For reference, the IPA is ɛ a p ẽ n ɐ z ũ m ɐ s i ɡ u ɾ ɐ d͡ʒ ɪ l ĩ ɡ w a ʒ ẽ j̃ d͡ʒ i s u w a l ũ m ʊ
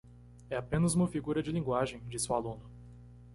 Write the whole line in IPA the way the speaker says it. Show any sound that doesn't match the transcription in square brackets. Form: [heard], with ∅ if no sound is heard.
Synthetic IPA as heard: ɛ a p ẽ n ɐ z ũ m ɐ [f] i ɡ u ɾ ɐ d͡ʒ ɪ l ĩ ɡ w a ʒ ẽ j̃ d͡ʒ i s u w a l ũ [n] ʊ